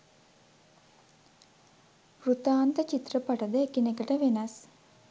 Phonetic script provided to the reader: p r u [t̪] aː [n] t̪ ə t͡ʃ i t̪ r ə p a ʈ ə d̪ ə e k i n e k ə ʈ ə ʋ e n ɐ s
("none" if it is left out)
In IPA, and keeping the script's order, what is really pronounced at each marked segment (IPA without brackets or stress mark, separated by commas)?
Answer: t̪, n